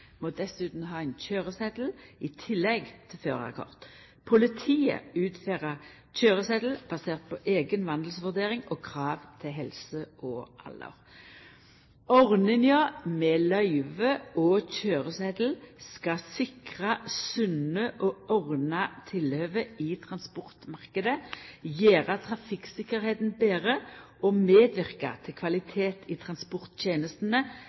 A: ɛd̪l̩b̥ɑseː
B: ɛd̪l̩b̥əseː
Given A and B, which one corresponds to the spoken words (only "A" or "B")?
A